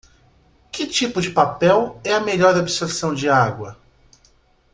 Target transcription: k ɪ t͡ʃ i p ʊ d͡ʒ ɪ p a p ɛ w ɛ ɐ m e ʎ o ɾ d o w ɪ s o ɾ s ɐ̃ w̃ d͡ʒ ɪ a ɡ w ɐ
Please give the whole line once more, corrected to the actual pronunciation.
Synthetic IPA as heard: k ɪ t͡ʃ i p ʊ d͡ʒ ɪ p a p ɛ w ɛ ɐ m e ʎ ɔ ɾ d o b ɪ s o ɾ s ɐ̃ w̃ d͡ʒ ɪ a ɡ w ɐ